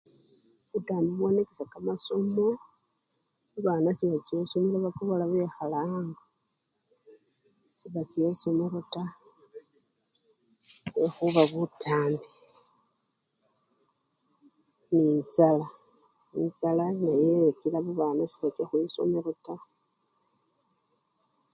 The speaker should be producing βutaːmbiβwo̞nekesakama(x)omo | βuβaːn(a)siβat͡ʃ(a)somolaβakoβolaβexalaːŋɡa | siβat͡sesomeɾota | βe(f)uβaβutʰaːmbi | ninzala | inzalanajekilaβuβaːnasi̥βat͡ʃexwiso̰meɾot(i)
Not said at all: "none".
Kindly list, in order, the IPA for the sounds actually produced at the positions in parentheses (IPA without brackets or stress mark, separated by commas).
s, a, e, x, a